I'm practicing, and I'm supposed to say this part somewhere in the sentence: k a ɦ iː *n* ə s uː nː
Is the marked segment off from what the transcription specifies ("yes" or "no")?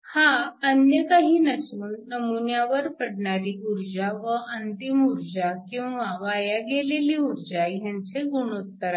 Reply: no